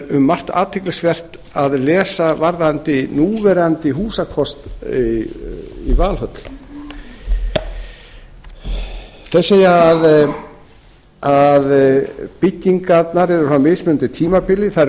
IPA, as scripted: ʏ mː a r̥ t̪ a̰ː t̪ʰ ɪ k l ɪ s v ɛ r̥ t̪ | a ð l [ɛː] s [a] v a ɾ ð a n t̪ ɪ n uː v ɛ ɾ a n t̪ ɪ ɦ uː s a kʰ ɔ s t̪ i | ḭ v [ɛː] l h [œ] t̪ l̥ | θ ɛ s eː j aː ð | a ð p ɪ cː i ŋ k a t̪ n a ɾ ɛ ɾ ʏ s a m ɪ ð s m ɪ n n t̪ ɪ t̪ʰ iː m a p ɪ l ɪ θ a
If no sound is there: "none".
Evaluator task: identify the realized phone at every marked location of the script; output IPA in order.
ɛː, a, aː, œ

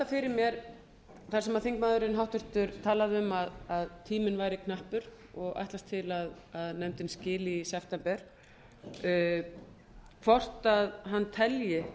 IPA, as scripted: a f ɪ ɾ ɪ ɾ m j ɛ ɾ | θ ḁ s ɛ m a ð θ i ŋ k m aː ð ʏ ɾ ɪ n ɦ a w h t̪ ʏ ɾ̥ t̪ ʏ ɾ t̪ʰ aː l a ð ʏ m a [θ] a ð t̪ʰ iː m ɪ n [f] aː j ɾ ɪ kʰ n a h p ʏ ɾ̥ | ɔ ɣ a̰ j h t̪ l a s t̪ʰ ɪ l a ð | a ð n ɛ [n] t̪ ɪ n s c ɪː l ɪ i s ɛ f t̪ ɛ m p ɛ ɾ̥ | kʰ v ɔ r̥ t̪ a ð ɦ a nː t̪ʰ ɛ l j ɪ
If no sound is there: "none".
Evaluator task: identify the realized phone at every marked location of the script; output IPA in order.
ð, v, m

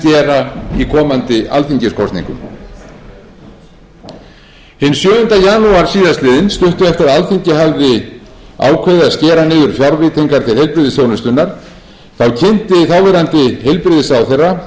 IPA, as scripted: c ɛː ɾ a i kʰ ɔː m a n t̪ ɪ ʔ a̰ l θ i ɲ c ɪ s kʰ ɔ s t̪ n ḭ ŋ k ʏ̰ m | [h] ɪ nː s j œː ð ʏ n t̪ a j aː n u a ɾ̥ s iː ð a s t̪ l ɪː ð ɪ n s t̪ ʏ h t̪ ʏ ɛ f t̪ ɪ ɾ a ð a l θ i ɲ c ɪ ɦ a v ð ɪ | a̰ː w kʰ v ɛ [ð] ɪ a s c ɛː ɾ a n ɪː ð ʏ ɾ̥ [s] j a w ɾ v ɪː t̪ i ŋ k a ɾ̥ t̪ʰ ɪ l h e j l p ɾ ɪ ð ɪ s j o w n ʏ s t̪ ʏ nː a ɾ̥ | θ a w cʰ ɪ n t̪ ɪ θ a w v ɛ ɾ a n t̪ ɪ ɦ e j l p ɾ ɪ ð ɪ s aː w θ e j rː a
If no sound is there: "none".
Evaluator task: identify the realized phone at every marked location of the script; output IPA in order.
h, ð, f

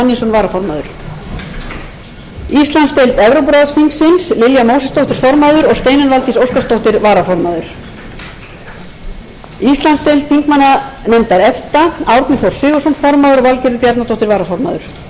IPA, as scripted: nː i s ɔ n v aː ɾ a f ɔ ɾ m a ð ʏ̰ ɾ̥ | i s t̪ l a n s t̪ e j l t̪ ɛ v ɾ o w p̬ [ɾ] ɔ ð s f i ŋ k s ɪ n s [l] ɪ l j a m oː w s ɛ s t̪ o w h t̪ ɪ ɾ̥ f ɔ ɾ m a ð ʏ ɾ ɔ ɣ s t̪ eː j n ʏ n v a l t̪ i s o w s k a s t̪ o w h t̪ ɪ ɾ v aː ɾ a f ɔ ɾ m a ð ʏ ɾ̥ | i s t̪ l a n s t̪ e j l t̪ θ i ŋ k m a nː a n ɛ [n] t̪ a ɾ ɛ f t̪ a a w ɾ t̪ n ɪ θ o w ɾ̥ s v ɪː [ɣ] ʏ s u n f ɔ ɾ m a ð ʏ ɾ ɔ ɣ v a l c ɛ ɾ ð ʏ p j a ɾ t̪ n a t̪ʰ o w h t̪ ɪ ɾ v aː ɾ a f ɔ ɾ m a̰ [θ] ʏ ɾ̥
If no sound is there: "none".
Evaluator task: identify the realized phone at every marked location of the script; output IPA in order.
ɾ, l, m, ɣ, ð

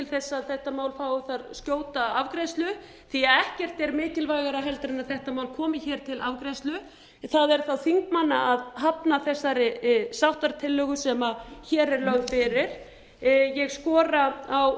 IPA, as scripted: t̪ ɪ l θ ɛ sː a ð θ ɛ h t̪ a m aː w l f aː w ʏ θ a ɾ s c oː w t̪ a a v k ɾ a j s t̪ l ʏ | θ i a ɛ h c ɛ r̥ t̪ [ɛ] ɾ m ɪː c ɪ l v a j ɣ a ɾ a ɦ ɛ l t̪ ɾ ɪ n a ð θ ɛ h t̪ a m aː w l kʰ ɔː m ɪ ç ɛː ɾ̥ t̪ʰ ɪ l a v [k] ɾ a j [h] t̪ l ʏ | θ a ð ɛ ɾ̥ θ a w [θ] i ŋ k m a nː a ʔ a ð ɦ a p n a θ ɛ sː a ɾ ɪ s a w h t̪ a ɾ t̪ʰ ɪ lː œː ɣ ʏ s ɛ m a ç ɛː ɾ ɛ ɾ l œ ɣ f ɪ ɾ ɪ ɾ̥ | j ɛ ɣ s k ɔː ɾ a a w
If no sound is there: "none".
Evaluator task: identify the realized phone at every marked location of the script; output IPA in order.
ɛ, k, s, θ

